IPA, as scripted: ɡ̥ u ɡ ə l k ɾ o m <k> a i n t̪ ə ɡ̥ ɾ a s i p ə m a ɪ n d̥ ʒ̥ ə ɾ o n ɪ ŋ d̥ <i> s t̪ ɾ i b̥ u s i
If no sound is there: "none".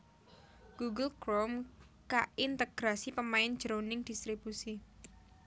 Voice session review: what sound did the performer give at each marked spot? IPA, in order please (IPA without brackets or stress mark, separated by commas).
k, i